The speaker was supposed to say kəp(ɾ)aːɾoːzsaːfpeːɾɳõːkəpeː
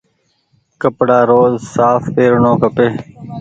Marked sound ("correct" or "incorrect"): incorrect